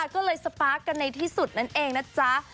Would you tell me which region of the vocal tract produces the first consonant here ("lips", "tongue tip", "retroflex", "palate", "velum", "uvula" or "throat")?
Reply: velum